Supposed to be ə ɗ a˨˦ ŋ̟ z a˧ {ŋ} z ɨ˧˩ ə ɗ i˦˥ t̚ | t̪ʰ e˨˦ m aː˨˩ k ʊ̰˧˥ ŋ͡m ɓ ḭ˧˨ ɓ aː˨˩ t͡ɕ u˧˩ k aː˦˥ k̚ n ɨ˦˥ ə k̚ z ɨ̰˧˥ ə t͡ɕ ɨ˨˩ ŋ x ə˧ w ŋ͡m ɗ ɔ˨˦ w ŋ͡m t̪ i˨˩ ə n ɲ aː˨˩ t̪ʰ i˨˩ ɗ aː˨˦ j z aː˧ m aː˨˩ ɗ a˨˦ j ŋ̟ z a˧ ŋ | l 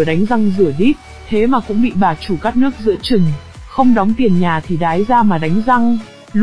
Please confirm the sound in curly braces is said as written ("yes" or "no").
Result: yes